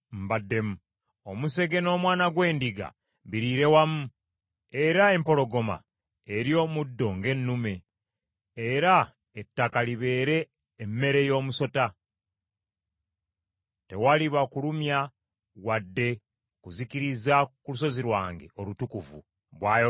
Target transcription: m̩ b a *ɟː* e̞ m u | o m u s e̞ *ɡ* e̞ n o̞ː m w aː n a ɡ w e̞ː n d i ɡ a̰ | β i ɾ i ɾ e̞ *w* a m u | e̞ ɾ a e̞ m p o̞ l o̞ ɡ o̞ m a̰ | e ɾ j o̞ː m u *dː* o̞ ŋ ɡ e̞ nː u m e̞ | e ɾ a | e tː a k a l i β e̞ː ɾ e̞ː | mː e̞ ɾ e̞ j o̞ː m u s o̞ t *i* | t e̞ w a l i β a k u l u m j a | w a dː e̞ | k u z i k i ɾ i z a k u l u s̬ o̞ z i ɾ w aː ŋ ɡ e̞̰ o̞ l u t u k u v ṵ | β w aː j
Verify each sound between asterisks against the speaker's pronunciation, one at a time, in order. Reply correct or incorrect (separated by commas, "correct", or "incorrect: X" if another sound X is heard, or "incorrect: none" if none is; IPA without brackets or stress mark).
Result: incorrect: dː, correct, correct, correct, incorrect: a